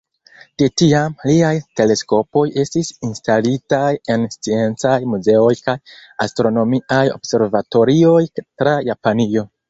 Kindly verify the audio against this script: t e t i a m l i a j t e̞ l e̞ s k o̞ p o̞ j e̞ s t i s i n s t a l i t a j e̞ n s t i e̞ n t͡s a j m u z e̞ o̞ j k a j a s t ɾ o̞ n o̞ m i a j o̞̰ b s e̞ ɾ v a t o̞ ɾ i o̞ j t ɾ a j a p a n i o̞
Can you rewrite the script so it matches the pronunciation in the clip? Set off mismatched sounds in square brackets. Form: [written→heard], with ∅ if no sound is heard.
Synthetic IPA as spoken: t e t i a m l i a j t e̞ l e̞ s k o̞ p o̞ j e̞ s t i s i n s t a l i t a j e̞ n s [t→t͡s] i e̞ n t͡s a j m u z e̞ o̞ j k a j a s t ɾ o̞ n o̞ m i a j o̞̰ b s e̞ ɾ v a t o̞ ɾ i o̞ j t ɾ a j a p a n i o̞